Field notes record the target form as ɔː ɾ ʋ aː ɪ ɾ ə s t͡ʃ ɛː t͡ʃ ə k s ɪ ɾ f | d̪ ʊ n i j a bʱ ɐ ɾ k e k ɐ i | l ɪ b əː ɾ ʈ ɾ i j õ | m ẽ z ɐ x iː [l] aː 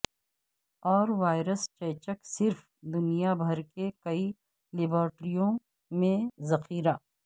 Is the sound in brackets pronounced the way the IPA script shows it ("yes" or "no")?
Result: no